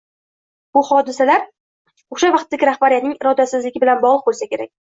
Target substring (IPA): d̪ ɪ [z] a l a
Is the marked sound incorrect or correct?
incorrect